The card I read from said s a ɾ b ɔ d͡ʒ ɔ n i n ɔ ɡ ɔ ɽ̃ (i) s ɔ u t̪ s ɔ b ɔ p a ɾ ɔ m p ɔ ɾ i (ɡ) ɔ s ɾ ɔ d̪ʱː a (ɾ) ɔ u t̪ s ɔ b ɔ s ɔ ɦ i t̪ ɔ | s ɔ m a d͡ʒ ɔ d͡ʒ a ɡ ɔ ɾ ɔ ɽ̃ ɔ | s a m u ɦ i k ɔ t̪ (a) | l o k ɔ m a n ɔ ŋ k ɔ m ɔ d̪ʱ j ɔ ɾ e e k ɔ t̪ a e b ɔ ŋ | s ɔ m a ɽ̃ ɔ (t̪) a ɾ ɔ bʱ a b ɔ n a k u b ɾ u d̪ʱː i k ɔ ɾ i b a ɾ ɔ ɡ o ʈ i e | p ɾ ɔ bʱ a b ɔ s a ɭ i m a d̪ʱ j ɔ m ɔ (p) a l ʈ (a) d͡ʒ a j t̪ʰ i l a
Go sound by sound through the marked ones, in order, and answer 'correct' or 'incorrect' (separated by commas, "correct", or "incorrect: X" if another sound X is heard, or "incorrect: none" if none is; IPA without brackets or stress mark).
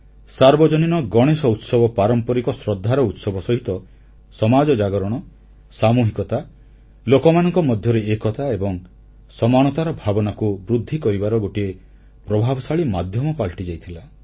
incorrect: e, incorrect: k, correct, correct, correct, correct, incorrect: i